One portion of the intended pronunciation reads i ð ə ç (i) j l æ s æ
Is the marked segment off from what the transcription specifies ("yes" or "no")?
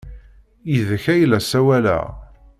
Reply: yes